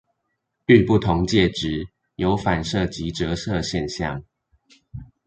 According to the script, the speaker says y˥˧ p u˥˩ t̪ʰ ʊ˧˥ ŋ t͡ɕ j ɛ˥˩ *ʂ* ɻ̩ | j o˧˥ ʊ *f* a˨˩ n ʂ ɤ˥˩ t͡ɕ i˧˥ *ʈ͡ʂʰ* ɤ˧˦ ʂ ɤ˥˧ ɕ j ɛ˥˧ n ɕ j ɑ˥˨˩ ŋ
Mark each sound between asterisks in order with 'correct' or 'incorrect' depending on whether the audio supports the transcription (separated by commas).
incorrect, correct, incorrect